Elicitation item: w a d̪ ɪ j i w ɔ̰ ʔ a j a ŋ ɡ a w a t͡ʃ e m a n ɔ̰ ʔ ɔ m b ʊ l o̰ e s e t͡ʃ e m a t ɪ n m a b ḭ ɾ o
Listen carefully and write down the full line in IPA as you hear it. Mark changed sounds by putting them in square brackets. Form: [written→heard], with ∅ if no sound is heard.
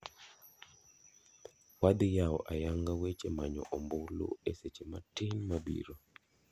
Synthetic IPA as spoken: w a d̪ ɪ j [i→a] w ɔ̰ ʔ a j a ŋ ɡ a w [a→e] t͡ʃ e m a [n→ɲ] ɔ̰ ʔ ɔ m b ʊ l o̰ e s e t͡ʃ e m a t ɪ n m a b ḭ ɾ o